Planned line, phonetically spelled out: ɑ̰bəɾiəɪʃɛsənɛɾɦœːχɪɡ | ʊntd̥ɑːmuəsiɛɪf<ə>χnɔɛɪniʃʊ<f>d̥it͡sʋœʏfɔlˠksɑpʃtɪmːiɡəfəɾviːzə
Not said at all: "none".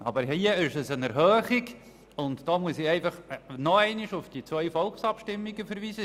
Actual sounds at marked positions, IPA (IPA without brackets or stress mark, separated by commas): ɑ, f